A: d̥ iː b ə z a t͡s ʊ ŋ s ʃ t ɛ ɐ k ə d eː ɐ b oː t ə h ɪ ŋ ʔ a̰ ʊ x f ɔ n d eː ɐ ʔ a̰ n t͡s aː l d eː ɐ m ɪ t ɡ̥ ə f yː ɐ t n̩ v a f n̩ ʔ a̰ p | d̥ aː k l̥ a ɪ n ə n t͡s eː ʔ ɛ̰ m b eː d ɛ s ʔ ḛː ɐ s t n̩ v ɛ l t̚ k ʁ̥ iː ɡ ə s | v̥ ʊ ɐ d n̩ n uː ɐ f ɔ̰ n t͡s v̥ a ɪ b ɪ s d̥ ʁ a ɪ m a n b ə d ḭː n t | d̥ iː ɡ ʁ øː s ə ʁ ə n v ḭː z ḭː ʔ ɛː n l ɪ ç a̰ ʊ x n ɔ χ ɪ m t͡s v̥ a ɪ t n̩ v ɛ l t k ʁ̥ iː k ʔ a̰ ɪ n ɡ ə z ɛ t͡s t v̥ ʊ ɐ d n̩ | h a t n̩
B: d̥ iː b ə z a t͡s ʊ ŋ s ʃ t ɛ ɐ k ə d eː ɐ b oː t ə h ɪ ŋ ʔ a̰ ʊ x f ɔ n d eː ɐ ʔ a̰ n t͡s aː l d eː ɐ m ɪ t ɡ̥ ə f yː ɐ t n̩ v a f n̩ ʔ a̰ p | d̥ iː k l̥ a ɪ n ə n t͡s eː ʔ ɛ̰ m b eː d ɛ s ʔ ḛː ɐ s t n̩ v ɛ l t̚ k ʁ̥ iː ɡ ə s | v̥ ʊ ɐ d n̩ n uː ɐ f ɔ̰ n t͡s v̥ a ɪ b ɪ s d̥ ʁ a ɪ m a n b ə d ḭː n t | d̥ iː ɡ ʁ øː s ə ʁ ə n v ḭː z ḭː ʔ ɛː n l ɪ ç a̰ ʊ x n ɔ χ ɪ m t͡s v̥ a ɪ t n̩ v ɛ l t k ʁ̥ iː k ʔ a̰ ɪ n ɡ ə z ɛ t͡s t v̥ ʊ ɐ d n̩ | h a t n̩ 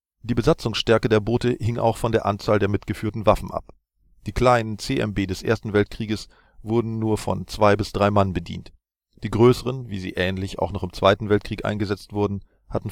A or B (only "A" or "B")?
B